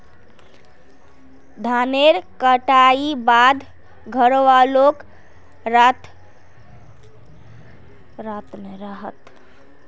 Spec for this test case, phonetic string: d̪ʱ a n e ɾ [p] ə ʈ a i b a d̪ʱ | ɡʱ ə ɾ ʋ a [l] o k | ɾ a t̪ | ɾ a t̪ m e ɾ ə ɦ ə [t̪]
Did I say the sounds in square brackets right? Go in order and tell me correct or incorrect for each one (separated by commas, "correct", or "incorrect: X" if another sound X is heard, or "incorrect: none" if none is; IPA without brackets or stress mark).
incorrect: k, correct, correct